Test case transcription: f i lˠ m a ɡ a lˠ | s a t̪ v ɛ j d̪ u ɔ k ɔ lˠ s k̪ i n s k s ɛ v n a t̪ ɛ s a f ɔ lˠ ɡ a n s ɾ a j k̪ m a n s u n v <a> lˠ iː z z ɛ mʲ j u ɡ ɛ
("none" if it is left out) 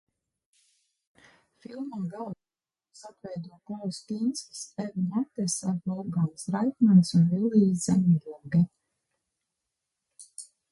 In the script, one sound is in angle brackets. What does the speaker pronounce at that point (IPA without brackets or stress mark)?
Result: i